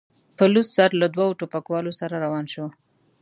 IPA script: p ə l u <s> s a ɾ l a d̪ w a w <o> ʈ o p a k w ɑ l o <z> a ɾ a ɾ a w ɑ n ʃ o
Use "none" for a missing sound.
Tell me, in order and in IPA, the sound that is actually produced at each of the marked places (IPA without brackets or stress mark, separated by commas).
s, o, s